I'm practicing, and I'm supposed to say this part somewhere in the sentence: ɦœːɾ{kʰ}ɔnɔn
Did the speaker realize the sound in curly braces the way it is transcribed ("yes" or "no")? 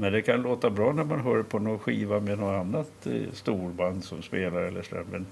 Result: no